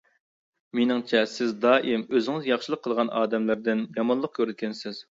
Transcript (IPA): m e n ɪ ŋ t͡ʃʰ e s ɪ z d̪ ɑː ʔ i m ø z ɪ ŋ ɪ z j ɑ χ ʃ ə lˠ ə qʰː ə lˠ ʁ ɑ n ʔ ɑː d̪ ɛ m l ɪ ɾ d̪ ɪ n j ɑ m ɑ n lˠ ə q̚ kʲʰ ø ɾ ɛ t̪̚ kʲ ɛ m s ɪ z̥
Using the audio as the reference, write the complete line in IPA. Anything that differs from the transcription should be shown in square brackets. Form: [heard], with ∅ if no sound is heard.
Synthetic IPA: m e n ɪ ŋ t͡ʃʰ [ɛ] s ɪ z d̪ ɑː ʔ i m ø z ɪ ŋ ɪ z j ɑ χ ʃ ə lˠ ə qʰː ə lˠ ʁ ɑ n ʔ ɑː d̪ ɛ m l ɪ ɾ d̪ ɪ n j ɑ m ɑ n lˠ ə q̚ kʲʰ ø ɾ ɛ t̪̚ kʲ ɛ [n] s ɪ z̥